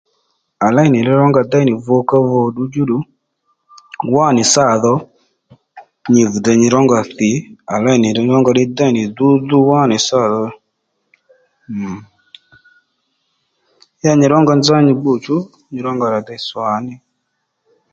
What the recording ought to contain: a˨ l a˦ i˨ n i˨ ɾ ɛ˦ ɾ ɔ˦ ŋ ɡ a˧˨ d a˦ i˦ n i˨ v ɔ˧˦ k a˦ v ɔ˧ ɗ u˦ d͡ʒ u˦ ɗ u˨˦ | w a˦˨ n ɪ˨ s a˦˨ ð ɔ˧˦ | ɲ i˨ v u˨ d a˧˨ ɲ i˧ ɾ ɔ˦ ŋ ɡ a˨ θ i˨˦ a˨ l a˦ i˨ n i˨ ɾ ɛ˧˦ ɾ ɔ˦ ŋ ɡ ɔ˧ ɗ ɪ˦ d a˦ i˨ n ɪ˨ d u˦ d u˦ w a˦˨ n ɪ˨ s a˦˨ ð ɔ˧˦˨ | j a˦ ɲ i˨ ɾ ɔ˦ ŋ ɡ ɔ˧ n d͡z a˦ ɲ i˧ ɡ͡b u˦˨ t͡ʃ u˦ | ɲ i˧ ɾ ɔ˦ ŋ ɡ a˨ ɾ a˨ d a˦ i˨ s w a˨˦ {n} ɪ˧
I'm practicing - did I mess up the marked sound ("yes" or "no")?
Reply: no